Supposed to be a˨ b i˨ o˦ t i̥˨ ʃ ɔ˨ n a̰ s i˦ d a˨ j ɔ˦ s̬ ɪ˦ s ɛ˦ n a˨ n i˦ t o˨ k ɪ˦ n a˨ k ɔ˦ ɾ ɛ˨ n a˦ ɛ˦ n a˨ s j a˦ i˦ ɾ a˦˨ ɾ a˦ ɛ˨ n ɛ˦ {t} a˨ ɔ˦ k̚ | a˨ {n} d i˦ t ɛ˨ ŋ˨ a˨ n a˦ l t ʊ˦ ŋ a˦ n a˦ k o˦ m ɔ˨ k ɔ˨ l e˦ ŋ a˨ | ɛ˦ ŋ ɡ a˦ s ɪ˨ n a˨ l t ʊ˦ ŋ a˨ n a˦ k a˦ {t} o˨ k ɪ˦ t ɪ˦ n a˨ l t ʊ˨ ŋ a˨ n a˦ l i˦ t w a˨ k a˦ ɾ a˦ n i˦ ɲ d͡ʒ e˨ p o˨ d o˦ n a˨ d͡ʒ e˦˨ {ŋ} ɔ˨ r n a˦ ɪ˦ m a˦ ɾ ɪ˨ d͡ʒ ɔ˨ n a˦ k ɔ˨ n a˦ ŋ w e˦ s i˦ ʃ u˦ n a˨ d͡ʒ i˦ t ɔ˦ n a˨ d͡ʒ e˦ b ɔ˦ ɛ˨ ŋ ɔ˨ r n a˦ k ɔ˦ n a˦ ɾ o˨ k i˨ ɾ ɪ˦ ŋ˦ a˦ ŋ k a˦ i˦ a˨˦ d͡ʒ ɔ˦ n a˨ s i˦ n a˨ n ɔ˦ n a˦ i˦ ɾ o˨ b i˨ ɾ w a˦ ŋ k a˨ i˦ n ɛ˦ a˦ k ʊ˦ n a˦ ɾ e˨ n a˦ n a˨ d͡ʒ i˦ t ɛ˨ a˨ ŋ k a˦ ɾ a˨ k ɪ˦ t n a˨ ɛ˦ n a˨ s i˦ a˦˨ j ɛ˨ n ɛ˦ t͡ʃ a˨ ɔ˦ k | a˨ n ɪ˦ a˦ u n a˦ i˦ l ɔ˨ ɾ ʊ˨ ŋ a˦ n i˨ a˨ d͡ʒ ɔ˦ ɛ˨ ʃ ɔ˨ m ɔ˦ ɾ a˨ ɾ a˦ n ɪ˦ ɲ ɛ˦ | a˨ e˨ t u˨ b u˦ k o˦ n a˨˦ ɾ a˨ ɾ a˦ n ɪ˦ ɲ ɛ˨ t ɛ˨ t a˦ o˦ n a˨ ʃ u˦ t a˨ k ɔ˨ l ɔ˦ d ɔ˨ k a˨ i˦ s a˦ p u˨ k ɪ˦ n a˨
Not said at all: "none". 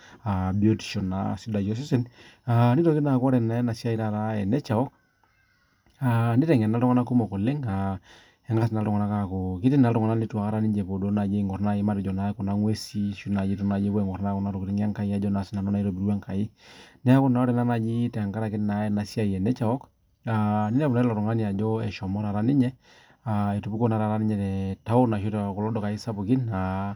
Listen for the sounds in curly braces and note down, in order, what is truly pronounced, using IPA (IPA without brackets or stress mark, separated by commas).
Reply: t͡ʃ, n, k, ŋ